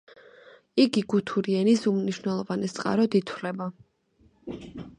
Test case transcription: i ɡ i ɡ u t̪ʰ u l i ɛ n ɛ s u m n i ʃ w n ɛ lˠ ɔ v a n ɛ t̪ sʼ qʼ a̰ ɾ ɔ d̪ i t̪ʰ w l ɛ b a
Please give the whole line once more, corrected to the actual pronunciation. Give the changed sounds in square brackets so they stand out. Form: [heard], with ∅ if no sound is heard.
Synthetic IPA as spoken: i ɡ i ɡ u t̪ʰ u [ɾ] i ɛ n [i] s u m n i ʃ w n ɛ lˠ ɔ v a n ɛ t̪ sʼ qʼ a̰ ɾ ɔ d̪ i t̪ʰ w l ɛ b a